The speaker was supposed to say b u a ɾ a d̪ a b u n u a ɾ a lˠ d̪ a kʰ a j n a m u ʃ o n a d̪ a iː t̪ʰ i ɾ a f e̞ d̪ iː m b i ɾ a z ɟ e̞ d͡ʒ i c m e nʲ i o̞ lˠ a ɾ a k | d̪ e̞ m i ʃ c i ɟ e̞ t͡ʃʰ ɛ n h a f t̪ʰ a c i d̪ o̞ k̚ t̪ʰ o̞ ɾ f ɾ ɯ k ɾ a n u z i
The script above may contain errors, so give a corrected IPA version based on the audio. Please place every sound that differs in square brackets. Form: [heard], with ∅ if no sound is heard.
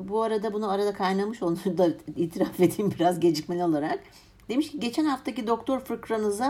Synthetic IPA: b u a ɾ a d̪ a b u n u a ɾ a [∅] d̪ a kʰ a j n a m [ɯ] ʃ o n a d̪ a iː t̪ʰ i ɾ a f e̞ d̪ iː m b i ɾ a z ɟ e̞ d͡ʒ i c m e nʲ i o̞ lˠ a ɾ a k | d̪ e̞ m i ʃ c i ɟ e̞ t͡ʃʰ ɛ n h a f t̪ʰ a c i d̪ o̞ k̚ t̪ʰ o̞ ɾ f ɾ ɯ k ɾ a n [ɯ] z [a]